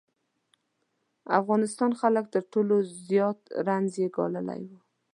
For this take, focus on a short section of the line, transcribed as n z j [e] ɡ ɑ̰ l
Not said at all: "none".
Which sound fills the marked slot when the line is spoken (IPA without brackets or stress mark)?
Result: e